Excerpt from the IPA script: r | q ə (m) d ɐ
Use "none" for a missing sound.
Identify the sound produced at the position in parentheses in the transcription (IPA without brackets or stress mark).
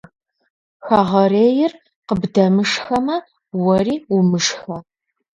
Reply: b